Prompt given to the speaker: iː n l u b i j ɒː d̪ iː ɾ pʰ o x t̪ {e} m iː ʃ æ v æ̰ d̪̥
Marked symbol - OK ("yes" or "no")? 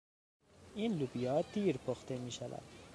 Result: yes